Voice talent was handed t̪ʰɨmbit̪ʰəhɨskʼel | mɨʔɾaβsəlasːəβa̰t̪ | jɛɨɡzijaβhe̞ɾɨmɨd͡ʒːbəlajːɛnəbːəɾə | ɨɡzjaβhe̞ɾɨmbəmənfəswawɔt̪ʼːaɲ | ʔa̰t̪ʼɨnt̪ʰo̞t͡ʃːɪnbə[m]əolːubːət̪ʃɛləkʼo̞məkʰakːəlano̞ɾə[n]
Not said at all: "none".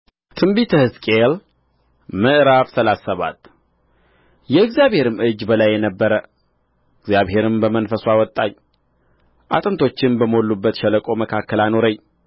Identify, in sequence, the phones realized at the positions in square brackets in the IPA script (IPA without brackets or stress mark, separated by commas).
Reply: m, ɲ